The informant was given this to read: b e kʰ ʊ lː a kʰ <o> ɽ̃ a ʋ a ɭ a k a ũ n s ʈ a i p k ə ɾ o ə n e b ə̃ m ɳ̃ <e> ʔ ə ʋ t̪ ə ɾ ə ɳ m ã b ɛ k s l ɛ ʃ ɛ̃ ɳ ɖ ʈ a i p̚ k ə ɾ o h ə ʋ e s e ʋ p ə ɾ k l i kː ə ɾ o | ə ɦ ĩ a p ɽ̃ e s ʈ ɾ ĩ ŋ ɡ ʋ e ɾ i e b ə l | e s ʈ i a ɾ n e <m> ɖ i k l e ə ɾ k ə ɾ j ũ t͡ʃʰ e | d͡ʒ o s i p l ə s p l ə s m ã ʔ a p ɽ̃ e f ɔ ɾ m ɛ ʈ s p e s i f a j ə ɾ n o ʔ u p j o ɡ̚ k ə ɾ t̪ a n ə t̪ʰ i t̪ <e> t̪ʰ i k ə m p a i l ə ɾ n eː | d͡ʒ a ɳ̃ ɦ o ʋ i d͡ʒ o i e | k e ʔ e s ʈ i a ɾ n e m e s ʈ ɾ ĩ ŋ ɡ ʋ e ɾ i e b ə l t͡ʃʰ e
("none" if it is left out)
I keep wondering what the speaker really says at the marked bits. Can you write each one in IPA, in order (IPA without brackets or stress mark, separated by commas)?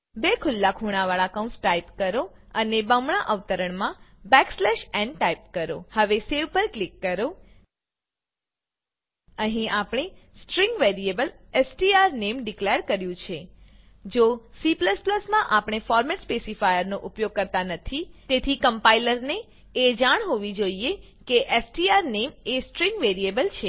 u, a, m, e